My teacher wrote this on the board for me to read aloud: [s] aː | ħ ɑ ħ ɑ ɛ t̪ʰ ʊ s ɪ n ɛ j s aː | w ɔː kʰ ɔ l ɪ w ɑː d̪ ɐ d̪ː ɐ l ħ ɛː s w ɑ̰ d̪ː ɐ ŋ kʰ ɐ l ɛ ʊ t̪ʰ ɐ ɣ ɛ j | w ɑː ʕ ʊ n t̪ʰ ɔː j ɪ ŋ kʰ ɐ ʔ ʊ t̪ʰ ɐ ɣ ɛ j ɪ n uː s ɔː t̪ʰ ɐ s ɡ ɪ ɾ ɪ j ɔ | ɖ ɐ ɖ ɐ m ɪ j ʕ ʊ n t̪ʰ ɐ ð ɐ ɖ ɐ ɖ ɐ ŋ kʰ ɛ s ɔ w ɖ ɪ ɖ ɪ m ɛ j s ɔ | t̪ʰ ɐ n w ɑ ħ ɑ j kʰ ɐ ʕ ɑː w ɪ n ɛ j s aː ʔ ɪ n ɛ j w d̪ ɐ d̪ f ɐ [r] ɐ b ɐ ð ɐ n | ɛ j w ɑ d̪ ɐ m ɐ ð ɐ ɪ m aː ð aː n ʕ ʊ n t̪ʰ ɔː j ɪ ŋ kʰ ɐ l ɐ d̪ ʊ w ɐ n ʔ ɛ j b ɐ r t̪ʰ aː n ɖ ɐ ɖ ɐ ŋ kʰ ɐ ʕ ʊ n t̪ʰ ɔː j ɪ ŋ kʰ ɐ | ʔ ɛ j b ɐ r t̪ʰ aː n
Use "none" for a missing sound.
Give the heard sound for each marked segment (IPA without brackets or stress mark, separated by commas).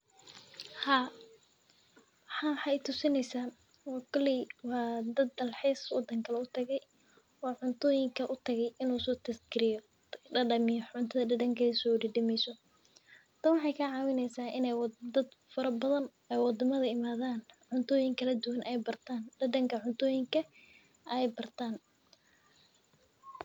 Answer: h, ɾ